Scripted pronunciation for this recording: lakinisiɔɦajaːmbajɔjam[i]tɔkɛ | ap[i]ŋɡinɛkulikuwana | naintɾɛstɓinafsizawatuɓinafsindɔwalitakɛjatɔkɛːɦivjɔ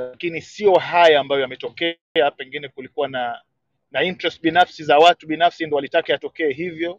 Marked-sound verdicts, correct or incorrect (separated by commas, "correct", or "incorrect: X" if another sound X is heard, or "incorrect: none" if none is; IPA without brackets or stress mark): incorrect: ɛ, incorrect: ɛ